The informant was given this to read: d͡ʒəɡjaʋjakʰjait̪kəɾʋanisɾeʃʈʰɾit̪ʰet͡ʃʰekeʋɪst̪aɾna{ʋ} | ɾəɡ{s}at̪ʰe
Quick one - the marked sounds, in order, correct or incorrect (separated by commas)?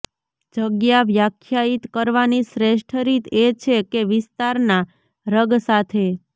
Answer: incorrect, correct